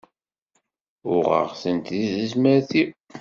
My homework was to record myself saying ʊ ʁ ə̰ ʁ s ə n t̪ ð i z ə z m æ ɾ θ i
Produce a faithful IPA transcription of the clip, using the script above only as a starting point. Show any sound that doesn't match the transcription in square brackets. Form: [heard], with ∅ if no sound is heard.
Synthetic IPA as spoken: ʊ ʁ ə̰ ʁ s ə n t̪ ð i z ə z m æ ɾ θ i